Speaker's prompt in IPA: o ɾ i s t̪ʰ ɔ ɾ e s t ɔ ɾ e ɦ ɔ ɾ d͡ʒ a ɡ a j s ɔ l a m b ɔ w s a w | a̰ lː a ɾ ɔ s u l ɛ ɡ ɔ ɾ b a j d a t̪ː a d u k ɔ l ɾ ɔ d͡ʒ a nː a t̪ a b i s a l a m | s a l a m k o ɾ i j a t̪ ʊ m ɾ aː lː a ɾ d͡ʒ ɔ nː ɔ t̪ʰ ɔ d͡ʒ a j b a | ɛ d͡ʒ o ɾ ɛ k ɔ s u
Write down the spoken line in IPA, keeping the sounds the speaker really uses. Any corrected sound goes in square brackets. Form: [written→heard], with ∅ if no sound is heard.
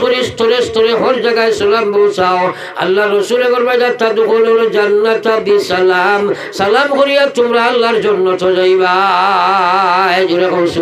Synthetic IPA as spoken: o ɾ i s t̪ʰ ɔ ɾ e s t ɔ ɾ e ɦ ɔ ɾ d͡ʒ a ɡ a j s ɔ l a m b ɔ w s a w | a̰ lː a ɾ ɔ s u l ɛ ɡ ɔ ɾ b a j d a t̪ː a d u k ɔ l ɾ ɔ d͡ʒ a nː a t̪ a b i s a l a m | s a l a m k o ɾ i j a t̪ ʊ m ɾ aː lː a ɾ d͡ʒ ɔ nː ɔ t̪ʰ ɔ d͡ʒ a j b a | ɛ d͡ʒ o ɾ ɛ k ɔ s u